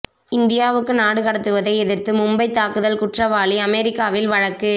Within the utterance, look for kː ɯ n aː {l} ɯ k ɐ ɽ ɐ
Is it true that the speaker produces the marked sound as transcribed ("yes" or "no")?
no